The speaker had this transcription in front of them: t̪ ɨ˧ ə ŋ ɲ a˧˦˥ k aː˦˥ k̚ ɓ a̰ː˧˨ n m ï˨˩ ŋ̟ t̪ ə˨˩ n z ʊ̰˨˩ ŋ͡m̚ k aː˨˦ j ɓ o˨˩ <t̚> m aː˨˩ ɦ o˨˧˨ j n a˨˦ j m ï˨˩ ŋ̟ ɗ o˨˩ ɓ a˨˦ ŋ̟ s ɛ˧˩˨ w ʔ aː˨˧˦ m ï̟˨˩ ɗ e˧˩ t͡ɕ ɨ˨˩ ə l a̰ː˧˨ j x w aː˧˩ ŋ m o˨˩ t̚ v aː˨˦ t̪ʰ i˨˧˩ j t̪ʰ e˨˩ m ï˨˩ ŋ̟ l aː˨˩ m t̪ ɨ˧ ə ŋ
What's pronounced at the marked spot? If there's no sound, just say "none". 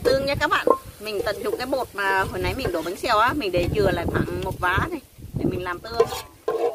t̚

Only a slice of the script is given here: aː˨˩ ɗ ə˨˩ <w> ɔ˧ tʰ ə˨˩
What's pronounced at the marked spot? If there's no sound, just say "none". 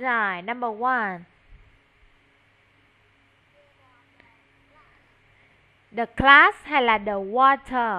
w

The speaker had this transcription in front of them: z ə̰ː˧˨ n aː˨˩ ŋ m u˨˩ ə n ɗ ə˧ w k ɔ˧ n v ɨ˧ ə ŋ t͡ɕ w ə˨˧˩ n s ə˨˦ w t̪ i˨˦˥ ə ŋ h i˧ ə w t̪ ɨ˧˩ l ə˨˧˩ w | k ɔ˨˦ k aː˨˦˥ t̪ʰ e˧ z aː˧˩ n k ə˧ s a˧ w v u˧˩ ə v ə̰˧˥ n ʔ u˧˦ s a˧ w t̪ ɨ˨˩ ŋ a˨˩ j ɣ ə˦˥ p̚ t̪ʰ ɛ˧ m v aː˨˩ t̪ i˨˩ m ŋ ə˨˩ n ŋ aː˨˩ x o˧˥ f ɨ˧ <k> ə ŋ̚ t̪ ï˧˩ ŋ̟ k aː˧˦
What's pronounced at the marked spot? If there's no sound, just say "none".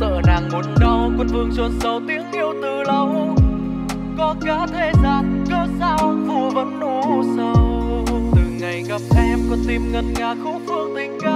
none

